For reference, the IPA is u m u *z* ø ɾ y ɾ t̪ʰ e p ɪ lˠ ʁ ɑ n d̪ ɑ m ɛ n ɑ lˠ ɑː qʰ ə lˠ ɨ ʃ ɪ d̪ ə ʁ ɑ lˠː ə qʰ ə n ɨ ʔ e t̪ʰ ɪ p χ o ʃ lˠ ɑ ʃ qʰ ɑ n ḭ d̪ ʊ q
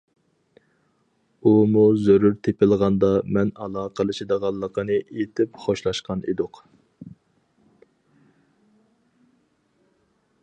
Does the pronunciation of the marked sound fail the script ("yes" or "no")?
no